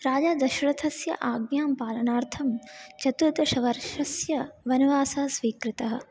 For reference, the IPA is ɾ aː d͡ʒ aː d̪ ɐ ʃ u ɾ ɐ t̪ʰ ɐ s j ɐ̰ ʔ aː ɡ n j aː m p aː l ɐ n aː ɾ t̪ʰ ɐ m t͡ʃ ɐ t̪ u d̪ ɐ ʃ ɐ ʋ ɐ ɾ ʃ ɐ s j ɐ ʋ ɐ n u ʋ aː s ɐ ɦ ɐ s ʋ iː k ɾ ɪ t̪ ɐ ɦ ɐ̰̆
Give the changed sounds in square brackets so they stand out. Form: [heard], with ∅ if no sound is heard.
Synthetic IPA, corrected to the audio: ɾ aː d͡ʒ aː d̪ ɐ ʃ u ɾ ɐ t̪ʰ ɐ s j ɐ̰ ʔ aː ɡ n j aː m p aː l ɐ n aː ɾ t̪ʰ ɐ m t͡ʃ ɐ t̪ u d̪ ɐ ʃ ɐ ʋ ɐ ɾ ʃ ɐ s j ɐ ʋ ɐ n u ʋ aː s ɐ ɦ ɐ s ʋ iː k ɾ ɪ t̪ ɐ ɦ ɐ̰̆